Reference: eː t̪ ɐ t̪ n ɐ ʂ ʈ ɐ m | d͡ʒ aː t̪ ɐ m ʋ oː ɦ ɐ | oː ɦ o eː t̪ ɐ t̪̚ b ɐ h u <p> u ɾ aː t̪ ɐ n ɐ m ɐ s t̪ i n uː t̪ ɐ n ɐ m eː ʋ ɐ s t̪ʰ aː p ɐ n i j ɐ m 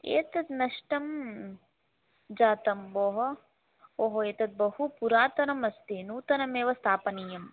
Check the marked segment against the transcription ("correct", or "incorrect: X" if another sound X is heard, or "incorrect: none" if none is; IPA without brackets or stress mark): correct